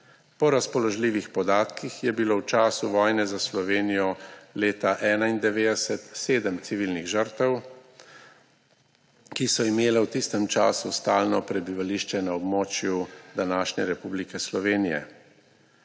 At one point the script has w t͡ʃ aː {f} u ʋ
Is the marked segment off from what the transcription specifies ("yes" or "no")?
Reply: yes